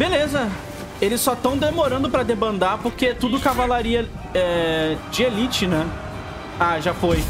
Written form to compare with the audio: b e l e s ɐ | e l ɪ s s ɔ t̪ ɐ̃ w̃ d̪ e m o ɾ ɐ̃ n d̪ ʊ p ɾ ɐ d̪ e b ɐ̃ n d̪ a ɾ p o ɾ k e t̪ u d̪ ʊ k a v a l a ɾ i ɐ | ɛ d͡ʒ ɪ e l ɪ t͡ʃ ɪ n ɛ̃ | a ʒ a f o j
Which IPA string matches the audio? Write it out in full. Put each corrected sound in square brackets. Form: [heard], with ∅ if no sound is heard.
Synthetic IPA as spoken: b e l e [z] ɐ | e l ɪ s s ɔ t̪ ɐ̃ w̃ d̪ e m o ɾ ɐ̃ n d̪ ʊ p ɾ ɐ d̪ e b ɐ̃ n d̪ a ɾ p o ɾ k e t̪ u d̪ ʊ k a v a l a ɾ i ɐ | ɛ d͡ʒ ɪ e l [i] t͡ʃ ɪ n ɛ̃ | a ʒ a f o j